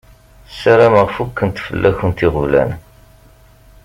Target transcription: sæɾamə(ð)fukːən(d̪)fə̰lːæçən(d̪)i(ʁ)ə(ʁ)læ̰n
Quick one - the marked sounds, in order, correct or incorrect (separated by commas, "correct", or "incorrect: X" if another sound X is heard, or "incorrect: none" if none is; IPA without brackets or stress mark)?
incorrect: ʁ, incorrect: t̪, incorrect: t̪, correct, incorrect: v